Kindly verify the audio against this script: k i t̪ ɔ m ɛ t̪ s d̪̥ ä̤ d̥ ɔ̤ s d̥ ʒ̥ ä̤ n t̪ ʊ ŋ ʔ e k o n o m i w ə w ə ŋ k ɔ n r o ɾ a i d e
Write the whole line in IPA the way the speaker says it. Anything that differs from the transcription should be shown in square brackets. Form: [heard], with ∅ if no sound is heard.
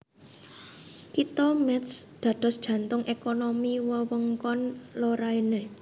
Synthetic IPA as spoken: k i t̪ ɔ m ɛ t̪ s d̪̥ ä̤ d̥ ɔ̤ s d̥ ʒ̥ ä̤ n t̪ ʊ ŋ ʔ e k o n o m i w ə w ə ŋ k ɔ n [l] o ɾ a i [n] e